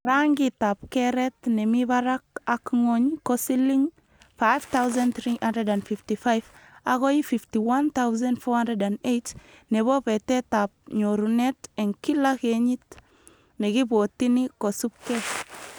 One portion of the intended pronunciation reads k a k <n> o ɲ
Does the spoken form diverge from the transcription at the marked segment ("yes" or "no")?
yes